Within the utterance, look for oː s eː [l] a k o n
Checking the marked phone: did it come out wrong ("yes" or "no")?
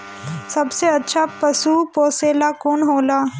no